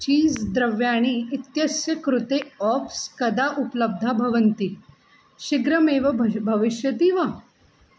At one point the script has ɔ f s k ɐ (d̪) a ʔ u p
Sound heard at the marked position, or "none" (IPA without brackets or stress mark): d̪